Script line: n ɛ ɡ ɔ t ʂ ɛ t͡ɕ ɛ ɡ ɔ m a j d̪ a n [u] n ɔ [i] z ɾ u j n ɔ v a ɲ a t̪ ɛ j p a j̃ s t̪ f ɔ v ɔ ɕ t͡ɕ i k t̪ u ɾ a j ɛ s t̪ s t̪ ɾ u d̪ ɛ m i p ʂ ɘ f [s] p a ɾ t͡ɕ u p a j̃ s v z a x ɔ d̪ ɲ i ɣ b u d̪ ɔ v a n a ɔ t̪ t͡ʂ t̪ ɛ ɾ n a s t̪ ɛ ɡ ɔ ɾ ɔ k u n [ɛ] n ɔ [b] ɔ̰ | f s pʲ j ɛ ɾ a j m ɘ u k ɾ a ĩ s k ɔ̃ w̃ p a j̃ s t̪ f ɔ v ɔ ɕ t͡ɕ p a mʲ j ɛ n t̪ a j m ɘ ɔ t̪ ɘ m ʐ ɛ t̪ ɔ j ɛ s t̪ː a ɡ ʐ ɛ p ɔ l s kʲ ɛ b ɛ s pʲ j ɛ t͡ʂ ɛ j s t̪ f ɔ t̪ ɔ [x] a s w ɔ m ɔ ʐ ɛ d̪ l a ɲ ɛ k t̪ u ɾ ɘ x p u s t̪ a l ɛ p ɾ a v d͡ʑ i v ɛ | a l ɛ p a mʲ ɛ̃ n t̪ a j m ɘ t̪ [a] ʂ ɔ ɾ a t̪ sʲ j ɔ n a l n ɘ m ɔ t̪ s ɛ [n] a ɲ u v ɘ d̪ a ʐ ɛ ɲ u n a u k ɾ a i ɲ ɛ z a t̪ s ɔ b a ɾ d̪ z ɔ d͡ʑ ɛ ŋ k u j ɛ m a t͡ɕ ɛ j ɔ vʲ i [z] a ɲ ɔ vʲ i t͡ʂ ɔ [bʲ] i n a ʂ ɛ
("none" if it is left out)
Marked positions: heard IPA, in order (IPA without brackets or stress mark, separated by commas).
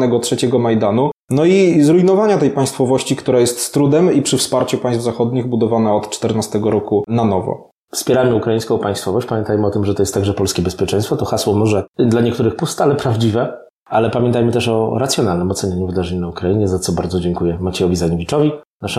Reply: u, i, s, a, v, x, ɛ, ɲ, z, vʲ